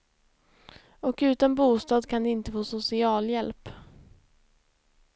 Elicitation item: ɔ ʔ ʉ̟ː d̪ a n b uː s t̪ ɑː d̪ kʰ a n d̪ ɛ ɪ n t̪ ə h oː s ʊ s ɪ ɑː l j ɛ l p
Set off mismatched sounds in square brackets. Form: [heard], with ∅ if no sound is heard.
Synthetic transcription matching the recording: ɔ [k] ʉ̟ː [t̪] a n b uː s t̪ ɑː d̪ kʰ a n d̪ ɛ ɪ n t̪ ə [f] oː s ʊ s ɪ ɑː l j ɛ l p